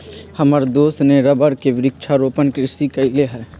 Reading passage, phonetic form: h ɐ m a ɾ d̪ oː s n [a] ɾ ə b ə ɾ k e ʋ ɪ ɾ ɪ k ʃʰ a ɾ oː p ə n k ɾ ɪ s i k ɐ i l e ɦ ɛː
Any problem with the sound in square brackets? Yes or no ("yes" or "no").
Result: yes